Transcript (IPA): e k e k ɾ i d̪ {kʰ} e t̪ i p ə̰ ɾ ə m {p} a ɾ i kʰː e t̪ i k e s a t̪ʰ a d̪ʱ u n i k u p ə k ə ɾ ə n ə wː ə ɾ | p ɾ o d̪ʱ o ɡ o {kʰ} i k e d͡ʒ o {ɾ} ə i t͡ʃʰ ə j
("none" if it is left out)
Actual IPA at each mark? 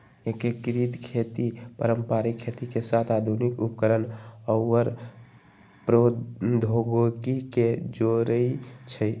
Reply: kʰ, p, k, ɾ

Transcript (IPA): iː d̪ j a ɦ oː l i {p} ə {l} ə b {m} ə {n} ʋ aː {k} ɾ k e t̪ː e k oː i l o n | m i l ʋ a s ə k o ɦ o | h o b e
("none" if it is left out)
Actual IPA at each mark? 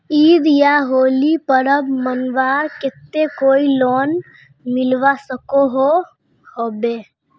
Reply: p, ɾ, m, n, none

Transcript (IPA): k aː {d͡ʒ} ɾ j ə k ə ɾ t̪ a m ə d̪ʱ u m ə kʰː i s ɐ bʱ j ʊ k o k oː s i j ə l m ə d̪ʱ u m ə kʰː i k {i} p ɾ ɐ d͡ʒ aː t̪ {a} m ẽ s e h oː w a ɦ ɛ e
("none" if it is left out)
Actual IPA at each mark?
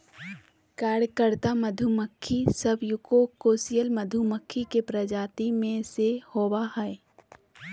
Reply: none, e, i

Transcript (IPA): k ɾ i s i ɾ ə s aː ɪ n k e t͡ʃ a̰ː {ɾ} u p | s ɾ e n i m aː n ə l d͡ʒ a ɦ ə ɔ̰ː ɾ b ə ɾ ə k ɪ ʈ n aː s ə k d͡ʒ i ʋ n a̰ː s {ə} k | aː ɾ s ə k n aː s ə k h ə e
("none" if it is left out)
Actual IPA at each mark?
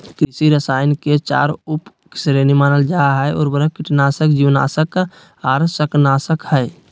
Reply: ɾ, ə

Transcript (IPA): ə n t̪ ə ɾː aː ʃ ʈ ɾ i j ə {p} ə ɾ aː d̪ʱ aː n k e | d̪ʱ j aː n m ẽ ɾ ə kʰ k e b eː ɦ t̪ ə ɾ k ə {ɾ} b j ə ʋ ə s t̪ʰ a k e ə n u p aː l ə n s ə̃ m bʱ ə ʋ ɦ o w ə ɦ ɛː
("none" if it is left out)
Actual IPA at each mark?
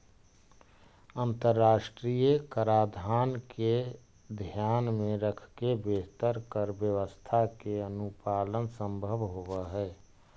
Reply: k, ɾ

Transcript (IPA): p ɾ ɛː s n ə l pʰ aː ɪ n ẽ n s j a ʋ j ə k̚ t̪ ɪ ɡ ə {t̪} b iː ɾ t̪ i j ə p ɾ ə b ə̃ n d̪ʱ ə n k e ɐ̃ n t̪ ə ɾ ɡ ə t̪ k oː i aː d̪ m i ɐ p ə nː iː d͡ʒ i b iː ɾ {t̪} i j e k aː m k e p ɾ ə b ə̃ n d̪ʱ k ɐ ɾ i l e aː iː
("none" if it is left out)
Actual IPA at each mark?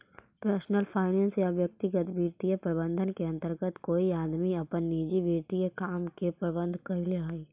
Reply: t̪, t̪

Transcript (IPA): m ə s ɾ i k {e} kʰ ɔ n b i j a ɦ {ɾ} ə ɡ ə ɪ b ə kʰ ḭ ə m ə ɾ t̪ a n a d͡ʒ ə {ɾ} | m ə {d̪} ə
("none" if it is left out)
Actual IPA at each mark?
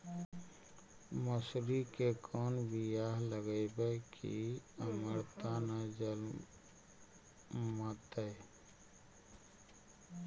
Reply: e, l, l, t̪

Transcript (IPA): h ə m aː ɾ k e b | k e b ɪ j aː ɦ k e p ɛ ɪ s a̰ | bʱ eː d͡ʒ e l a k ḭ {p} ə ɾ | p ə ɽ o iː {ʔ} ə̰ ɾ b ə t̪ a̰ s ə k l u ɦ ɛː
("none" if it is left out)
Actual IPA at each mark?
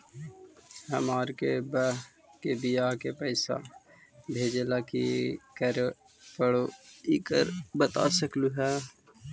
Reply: k, k

